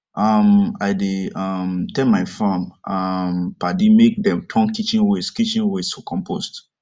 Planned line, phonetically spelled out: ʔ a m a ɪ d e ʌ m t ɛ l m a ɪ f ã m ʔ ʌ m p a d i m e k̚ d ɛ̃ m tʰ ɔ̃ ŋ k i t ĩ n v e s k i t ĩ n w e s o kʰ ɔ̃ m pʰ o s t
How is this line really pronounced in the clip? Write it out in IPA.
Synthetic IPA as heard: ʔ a m a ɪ d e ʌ m t ɛ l m a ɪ f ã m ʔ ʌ m p a d i m e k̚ d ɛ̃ m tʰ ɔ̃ ŋ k i t͡ʃ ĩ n w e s k i t͡ʃ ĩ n w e s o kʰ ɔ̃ m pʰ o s t